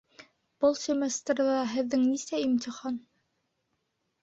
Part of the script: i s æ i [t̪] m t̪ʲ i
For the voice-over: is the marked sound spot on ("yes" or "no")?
no